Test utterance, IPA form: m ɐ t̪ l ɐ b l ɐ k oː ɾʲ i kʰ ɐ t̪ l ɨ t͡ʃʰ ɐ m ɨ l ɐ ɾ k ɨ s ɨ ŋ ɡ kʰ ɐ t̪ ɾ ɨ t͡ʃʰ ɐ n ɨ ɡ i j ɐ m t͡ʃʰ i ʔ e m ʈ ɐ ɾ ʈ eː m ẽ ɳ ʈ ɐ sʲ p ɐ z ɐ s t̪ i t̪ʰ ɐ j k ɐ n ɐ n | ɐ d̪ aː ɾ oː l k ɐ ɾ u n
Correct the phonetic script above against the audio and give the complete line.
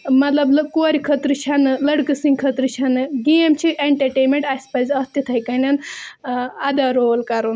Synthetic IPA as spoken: m ɐ t̪ l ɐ b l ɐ k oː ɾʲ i kʰ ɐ t̪ ɾ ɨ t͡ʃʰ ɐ n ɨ l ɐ ɽ k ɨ s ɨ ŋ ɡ kʰ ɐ t̪ ɾ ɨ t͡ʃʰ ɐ n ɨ ɡ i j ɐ m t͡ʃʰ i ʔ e ɳ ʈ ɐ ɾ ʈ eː m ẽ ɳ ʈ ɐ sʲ p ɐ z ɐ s t̪ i t̪ʰ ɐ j k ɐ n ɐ n | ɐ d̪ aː ɾ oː l k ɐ ɾ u n